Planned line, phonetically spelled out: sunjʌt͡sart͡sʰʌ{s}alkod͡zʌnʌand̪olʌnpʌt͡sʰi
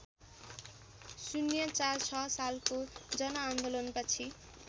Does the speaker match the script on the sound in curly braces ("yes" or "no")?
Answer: yes